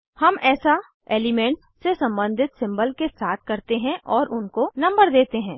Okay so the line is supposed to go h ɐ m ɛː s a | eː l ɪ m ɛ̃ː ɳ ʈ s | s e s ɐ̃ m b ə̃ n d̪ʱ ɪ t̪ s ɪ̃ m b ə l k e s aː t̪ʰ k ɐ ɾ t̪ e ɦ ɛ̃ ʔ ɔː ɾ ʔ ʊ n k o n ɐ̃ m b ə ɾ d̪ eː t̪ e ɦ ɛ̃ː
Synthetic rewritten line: h ɐ m ɛː s a | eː l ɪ m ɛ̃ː ɳ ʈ s | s e s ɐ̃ m b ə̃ n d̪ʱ ɪ t̪ s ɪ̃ m b ə l k e s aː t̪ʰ k ɐ ɾ t̪ e ɦ ɛ̃ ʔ ɔː ɾ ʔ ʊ n k o n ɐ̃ m b ə ɾ d̪ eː t̪ e ɦ ɛ̃ː

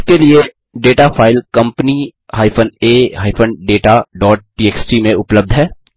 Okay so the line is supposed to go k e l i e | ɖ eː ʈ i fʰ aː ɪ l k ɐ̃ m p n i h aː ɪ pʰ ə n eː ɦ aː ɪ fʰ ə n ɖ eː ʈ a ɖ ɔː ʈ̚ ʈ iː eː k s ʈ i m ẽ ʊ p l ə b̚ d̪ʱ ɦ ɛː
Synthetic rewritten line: k e l i e | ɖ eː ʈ a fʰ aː ɪ l k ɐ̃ m p n i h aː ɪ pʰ ə n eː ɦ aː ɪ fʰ ə n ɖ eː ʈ a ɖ ɔː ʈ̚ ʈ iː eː k s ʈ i m ẽ ʊ p l ə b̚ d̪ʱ ɦ ɛː

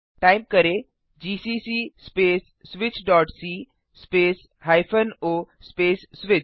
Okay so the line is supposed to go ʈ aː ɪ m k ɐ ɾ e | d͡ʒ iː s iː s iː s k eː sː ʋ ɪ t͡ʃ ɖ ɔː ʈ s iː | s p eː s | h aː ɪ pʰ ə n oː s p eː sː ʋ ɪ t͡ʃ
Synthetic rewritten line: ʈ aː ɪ m k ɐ ɾ e | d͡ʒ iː s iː s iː s p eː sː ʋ ɪ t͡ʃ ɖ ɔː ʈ s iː | s p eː s | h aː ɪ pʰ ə n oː s p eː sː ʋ ɪ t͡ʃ

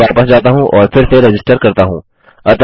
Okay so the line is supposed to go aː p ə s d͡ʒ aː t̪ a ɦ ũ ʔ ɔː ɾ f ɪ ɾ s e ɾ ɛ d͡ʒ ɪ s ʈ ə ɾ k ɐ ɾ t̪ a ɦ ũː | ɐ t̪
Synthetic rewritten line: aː p ə s d͡ʒ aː t̪ a ɦ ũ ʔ ɔː ɾ f ɪ ɾ s e ɾ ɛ d͡ʒ ɪ s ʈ ə ɾ k ɐ ɾ t̪ a ɦ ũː | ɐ t̪

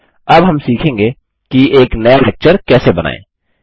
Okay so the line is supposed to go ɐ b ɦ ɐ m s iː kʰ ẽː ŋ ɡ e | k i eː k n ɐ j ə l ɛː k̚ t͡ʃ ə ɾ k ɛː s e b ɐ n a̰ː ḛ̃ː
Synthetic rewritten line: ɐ b ɦ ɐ m s iː kʰ ẽː ŋ ɡ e | k i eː k n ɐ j a l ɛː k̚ t͡ʃ ə ɾ k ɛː s e b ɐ n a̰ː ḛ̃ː

